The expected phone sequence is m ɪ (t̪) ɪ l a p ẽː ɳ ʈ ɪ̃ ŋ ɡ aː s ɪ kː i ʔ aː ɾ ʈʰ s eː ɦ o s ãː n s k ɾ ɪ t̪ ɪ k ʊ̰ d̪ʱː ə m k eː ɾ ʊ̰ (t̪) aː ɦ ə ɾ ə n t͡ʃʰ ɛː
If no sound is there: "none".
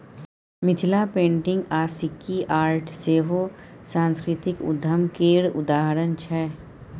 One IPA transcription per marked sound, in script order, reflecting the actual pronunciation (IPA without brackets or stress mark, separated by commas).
t̪ʰ, d̪